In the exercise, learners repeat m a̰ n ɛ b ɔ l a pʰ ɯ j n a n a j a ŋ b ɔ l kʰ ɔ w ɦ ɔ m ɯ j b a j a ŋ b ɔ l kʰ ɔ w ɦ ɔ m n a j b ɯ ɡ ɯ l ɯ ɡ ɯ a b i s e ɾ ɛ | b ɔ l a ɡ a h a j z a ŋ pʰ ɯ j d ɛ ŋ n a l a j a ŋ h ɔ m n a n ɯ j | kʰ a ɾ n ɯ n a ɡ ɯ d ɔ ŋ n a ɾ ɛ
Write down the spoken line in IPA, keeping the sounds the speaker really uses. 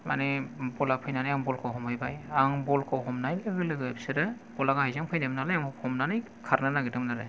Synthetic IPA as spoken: m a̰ n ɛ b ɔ l a pʰ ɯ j n a n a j a ŋ b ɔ l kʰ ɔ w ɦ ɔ m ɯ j b a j a ŋ b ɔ l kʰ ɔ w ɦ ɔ m n a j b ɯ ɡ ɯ l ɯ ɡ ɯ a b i s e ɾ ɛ | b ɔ l a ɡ a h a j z a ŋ pʰ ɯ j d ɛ m n a l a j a ŋ h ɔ m n a n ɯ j | kʰ a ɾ n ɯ n a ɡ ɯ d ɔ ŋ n a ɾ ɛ